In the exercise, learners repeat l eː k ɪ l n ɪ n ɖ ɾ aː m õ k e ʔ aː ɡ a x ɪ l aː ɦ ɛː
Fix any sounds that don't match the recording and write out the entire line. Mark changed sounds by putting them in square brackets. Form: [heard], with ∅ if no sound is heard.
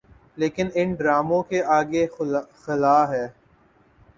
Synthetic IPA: l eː k ɪ [∅] n ɪ n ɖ ɾ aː m õ k e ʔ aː ɡ [e] x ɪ l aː ɦ ɛː